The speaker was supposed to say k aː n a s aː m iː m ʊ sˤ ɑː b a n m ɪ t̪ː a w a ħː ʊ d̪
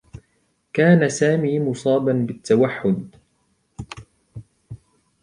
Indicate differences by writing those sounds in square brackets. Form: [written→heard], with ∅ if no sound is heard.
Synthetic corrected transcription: k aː n a s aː m iː m ʊ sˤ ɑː b a n [m→b] ɪ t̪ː a w a ħː ʊ d̪

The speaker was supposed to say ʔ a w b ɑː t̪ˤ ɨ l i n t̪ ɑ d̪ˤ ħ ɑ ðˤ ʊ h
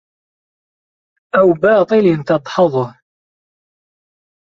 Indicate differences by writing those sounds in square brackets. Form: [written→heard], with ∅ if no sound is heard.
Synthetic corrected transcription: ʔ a w b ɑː t̪ˤ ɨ l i n t̪ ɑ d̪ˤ ħ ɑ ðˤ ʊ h

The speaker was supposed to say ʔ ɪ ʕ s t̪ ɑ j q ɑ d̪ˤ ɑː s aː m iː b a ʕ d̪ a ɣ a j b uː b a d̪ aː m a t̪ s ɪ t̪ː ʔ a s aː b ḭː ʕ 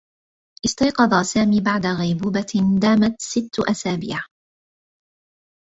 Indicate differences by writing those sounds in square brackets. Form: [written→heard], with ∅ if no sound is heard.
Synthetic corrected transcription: ʔ ɪ [ʕ→∅] s t̪ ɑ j q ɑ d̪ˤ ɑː s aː m iː b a ʕ d̪ a ɣ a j b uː b a d̪ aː m a t̪ s ɪ t̪ː ʔ a s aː b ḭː ʕ

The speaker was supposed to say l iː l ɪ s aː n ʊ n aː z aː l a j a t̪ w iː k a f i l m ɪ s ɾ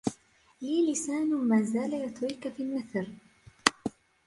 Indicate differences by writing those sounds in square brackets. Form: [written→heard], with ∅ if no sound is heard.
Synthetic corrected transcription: l iː l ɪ s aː n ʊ [n→m] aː z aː l a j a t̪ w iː k a f i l m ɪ [s→θ] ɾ

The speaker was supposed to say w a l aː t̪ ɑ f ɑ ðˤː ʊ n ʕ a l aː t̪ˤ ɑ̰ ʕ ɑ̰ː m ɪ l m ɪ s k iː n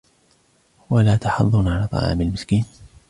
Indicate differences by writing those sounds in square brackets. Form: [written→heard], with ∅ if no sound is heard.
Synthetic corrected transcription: w a l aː t̪ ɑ [f→ħ] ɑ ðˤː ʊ n ʕ a l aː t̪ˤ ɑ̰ ʕ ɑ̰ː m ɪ l m ɪ s k iː n

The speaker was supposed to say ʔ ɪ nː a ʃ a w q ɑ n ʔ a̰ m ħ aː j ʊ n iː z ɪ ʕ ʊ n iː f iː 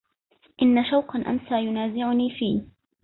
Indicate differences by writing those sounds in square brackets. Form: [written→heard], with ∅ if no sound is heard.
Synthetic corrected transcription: ʔ ɪ nː a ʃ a w q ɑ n ʔ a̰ m [ħ→s] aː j ʊ n [iː→aː] z ɪ ʕ ʊ n iː f iː

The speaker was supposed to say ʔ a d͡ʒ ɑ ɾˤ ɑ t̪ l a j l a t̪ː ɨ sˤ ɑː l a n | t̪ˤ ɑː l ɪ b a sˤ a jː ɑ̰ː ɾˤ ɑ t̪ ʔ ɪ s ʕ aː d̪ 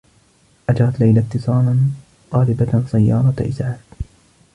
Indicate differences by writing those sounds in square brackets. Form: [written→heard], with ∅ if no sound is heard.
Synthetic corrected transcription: ʔ a d͡ʒ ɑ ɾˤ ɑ t̪ l a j l a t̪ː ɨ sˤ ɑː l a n | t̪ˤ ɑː l ɪ b a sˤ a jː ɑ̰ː ɾˤ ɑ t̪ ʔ ɪ s ʕ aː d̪

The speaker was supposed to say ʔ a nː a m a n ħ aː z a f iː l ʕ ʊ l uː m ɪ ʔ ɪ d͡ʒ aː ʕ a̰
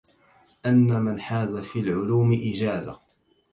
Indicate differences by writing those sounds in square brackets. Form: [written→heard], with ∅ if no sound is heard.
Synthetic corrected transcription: ʔ a nː a m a n ħ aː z a f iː l ʕ ʊ l uː m ɪ ʔ ɪ d͡ʒ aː [ʕ→z] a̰

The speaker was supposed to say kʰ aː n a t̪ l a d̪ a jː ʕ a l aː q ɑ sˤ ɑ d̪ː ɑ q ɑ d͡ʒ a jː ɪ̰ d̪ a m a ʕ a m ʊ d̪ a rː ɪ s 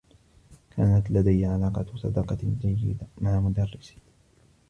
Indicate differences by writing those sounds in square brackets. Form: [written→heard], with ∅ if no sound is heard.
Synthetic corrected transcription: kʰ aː n a t̪ l a d̪ a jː ʕ a l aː q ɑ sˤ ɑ [d̪ː→d̪] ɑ q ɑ d͡ʒ a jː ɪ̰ d̪ a m a ʕ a m ʊ d̪ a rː ɪ s

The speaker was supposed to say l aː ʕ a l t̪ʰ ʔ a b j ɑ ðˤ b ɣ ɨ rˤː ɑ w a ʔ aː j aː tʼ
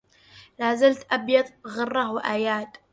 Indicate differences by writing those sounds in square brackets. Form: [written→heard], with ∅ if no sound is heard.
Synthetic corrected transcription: l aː [ʕ→z] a l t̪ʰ ʔ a b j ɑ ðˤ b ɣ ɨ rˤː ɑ w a ʔ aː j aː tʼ

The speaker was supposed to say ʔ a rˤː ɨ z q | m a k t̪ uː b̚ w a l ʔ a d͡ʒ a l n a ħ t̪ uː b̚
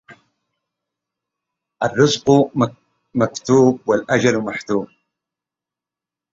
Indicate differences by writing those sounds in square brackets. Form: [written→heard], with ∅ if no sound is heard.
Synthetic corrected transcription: ʔ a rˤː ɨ z q | m a k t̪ uː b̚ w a l ʔ a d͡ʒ a l [n→m] a ħ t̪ uː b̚

